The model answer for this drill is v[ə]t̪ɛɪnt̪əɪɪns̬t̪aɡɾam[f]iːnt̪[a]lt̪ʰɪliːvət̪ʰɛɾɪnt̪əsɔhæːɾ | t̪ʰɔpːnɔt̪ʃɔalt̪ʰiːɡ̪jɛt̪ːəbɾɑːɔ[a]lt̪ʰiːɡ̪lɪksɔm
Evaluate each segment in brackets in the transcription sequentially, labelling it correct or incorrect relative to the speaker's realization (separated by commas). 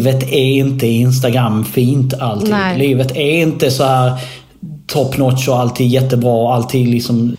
correct, correct, correct, correct